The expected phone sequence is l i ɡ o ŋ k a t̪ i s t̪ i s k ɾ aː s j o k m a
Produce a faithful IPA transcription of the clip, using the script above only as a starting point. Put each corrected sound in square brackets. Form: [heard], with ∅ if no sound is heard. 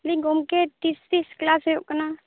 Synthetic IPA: l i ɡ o [m] k [e] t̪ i s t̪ i s k [l] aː s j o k [n] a